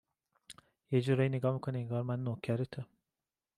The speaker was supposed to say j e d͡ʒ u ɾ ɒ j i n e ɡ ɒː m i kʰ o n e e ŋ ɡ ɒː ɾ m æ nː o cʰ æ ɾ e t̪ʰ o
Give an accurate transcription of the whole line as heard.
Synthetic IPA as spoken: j e d͡ʒ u ɾ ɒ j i n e ɡ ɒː m i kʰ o n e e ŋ ɡ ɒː ɾ m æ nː o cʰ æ ɾ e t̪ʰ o

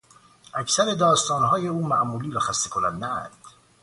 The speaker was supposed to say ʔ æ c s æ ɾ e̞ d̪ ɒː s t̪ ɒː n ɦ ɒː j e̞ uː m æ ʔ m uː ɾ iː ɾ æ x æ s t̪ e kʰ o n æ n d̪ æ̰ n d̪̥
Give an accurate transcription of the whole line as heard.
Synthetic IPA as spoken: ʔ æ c s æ ɾ e̞ d̪ ɒː s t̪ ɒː n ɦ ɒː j e̞ uː m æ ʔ m uː l iː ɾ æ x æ s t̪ e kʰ o n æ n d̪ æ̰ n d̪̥

